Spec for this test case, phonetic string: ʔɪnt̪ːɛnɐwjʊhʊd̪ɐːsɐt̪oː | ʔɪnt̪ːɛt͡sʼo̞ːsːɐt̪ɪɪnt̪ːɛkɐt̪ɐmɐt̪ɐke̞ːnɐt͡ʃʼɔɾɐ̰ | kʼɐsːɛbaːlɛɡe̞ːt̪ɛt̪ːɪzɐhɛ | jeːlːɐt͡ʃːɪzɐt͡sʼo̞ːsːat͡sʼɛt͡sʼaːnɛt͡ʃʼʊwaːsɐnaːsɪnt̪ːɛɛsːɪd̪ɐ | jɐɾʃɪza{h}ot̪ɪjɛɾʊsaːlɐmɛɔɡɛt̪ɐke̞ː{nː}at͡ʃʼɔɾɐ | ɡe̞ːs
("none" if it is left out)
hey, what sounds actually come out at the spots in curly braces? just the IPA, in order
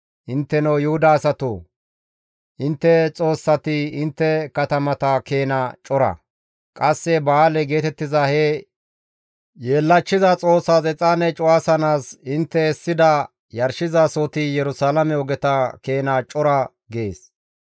s, n

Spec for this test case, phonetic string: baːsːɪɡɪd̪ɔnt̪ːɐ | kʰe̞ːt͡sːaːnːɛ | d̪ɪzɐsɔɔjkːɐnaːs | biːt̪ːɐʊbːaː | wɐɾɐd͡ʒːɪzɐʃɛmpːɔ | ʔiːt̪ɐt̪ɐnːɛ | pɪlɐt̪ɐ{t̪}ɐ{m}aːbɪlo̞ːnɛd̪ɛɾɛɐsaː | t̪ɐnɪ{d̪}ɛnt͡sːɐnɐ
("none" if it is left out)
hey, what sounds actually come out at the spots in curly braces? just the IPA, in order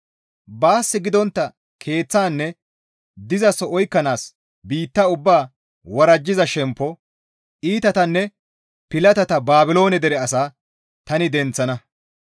t̪, b, d̪

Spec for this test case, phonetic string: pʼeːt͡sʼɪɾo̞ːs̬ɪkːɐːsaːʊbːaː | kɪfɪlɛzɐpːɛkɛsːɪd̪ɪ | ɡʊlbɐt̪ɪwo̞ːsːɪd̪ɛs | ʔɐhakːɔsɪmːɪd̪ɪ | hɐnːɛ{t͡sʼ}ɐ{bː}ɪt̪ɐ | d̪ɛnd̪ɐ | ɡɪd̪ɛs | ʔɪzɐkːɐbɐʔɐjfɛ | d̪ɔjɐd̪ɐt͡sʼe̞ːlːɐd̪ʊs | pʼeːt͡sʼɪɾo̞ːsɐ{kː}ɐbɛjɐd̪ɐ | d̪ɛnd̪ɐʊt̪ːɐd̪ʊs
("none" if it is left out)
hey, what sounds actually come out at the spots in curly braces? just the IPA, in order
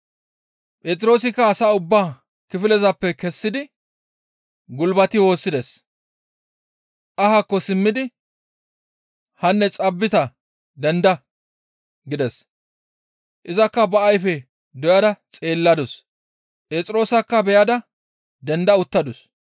t͡sʼ, bː, kː

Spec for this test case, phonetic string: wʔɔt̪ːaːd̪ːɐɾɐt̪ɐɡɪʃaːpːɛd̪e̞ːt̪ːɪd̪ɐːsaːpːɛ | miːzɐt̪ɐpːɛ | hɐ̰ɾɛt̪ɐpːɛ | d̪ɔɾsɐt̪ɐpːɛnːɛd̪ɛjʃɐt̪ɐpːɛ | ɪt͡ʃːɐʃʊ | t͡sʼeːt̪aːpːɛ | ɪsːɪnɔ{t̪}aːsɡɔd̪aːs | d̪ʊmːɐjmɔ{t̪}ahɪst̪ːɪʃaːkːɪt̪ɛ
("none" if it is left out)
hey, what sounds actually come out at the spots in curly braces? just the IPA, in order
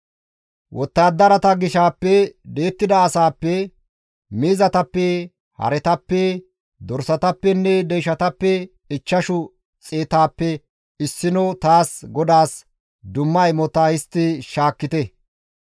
t̪, t̪

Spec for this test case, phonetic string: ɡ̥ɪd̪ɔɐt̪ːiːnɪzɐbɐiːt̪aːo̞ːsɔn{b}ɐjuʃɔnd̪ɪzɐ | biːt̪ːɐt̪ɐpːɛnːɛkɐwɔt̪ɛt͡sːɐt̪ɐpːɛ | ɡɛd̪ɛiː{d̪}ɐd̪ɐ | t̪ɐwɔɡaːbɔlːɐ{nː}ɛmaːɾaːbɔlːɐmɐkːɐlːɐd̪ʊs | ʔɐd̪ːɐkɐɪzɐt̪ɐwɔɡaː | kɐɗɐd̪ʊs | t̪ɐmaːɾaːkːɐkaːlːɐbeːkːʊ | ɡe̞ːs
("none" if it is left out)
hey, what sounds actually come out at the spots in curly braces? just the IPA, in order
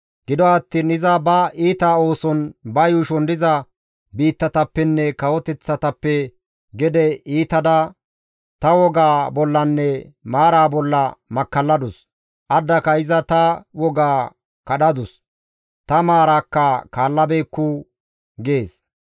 b, t̪, nː

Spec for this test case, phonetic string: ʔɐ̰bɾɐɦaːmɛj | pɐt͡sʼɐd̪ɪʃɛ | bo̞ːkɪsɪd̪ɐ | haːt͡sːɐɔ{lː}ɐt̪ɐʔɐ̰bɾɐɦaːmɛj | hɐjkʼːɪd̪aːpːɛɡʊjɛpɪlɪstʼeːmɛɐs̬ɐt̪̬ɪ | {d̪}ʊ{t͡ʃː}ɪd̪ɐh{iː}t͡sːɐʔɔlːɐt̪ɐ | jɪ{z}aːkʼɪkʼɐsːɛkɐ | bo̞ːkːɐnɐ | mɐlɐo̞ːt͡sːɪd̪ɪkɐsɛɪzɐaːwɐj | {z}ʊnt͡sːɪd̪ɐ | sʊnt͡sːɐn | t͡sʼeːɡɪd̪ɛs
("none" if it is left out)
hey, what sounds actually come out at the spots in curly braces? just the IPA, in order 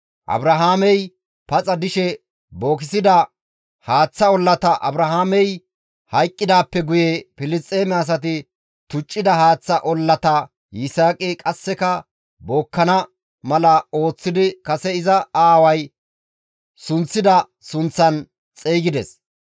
lː, t̪, t͡ʃʼː, aː, s, s

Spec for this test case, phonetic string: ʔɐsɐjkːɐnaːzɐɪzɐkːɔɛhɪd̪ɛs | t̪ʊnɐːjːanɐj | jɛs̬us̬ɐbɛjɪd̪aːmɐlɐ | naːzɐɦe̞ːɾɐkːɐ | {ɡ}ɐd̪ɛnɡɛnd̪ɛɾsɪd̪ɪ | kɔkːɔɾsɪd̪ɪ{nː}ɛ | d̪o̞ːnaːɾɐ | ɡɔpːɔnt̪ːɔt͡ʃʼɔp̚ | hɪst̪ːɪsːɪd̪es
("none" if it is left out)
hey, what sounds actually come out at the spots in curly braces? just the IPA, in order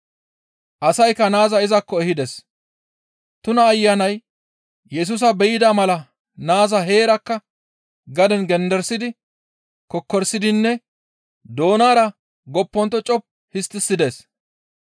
ɡ, nː

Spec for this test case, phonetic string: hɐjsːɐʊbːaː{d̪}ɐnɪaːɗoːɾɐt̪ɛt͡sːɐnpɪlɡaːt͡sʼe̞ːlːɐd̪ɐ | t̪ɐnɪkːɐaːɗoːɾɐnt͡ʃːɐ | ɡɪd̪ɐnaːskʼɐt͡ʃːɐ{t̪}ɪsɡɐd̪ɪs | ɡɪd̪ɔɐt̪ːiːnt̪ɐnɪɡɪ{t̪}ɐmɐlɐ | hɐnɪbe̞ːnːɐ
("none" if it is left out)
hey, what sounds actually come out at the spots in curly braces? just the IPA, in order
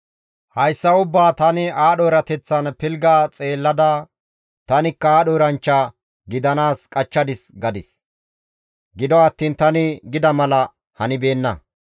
t̪, d̪, d̪

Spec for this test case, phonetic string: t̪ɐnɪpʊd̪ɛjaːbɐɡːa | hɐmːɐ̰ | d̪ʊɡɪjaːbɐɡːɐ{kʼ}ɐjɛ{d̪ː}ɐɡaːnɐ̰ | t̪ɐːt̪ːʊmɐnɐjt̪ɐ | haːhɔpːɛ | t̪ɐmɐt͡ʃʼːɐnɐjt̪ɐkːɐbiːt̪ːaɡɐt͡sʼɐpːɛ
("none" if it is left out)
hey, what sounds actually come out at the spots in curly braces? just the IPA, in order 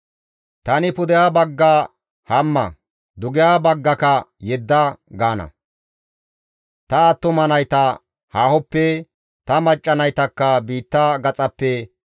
k, d̪ː

